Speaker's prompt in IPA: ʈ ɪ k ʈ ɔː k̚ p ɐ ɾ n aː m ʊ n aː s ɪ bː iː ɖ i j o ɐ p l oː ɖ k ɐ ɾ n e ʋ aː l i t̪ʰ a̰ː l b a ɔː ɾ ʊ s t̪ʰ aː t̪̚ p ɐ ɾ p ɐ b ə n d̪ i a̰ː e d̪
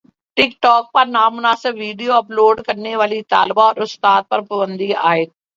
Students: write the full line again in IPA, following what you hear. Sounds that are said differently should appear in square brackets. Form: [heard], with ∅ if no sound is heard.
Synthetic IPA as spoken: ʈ ɪ k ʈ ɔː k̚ p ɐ ɾ n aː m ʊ n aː s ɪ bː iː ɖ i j o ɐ p l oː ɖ k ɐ ɾ n e ʋ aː l i [t̪] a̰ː l b a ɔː ɾ ʊ s [t̪] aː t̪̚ p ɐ ɾ p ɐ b ə n d̪ i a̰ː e [t̪]